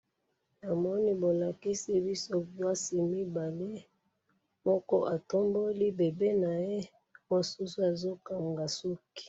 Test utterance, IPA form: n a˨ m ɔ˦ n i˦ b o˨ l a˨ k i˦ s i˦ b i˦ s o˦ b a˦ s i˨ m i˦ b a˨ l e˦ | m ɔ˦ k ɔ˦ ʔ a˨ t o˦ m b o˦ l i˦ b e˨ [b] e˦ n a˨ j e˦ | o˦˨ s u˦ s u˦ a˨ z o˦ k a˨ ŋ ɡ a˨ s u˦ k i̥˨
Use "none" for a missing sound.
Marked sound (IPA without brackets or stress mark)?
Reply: b